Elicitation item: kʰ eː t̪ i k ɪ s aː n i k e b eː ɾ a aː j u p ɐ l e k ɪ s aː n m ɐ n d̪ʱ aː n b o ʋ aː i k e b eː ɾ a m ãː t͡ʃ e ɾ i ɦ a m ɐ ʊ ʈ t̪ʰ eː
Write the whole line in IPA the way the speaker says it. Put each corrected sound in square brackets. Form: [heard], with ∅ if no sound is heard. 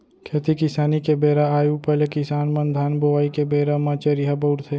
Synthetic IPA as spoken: kʰ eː t̪ i k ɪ s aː n i k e b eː ɾ a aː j u p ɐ l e k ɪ s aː n m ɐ n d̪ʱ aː n b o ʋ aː i k e b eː ɾ a m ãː t͡ʃ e ɾ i ɦ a [b] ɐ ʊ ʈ t̪ʰ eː